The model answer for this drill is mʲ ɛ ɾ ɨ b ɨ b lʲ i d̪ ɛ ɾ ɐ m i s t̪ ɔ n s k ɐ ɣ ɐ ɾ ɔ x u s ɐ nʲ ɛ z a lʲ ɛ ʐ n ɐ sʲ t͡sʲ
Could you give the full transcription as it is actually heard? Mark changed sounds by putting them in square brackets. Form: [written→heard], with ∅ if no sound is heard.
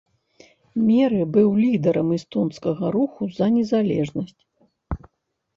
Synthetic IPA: mʲ ɛ ɾ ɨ b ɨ [b→w] lʲ i d̪ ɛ ɾ ɐ m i s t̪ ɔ n s k ɐ ɣ ɐ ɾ [ɔ→u] x u [s→z] ɐ nʲ ɛ z a lʲ ɛ ʐ n ɐ sʲ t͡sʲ